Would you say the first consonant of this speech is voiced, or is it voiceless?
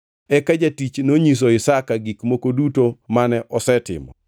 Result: voiceless